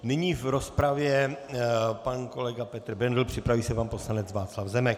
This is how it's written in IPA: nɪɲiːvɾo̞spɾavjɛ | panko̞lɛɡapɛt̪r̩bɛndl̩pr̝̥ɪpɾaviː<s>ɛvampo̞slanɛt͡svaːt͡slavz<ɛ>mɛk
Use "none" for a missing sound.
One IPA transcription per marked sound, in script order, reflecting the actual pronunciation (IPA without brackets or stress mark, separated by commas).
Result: s, ɛ